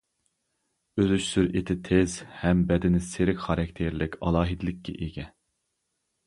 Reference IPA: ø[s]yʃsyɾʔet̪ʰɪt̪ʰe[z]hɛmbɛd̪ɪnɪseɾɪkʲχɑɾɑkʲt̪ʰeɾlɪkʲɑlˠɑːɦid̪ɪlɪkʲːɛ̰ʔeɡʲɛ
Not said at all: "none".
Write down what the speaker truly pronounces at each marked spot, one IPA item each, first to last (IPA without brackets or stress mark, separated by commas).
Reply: z, z